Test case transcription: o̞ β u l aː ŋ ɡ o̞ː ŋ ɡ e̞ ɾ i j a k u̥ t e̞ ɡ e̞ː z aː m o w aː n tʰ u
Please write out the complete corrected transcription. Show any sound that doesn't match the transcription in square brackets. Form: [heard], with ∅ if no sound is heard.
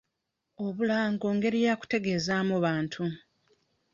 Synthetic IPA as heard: o̞ β u l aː ŋ ɡ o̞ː ŋ ɡ e̞ ɾ i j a k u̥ t e̞ ɡ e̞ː z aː m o [β] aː n tʰ u